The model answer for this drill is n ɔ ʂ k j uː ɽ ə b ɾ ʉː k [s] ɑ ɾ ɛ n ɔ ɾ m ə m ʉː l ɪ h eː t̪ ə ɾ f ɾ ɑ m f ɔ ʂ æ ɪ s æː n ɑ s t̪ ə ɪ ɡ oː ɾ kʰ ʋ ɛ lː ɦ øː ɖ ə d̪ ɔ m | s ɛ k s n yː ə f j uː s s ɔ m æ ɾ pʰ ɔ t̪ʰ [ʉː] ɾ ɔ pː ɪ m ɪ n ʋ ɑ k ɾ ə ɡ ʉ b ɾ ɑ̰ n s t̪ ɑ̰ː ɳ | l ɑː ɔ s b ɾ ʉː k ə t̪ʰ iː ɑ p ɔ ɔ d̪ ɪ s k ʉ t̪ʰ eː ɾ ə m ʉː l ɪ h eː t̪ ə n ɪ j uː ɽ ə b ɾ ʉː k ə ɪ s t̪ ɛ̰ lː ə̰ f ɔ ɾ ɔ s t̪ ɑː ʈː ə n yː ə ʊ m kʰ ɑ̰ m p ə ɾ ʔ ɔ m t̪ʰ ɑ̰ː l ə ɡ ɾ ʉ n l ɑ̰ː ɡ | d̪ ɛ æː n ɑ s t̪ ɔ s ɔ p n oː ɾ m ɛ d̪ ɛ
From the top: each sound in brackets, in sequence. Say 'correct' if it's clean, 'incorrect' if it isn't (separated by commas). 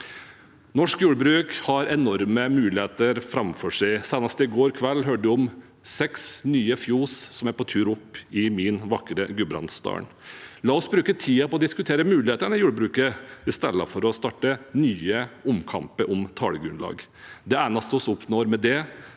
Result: incorrect, correct